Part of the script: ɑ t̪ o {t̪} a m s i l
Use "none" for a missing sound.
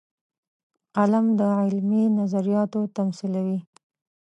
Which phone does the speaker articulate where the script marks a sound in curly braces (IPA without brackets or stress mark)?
t̪